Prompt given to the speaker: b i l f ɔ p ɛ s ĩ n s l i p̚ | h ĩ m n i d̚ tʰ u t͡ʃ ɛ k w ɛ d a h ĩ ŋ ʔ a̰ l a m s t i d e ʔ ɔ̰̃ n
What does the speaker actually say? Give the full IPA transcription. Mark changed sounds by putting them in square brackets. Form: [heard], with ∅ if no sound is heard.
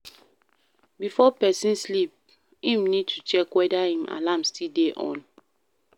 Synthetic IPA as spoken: b i [∅] f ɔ p ɛ s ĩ n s l i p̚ | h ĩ m n i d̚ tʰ u t͡ʃ ɛ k w ɛ d a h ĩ [m] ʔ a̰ l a m s t i d e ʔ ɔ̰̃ n